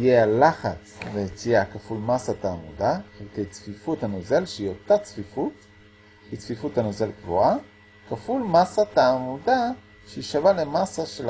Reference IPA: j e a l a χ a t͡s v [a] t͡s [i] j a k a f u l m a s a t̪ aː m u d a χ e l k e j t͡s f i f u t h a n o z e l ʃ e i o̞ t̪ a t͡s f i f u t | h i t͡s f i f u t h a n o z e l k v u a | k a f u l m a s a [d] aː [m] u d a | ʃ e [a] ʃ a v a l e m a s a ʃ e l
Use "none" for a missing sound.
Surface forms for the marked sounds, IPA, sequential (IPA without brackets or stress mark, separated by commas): e, i, t, m, i